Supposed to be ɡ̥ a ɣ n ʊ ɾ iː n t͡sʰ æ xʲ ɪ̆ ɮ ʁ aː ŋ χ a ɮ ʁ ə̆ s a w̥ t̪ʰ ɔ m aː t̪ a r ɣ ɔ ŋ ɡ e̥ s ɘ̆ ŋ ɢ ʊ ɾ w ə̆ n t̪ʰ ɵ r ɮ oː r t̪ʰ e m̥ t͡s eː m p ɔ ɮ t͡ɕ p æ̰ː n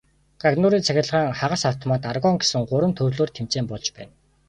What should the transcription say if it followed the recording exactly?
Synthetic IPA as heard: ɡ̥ a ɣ n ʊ ɾ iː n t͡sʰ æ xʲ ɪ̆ ɮ ʁ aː ŋ χ a ʁ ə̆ s a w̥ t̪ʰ ɔ m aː t̪ a r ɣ ɔ ŋ ɡ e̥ s ɘ̆ ŋ ɢ ʊ ɾ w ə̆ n t̪ʰ ɵ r ɮ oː r t̪ʰ e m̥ t͡s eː m p ɔ ɮ t͡ɕ p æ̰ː n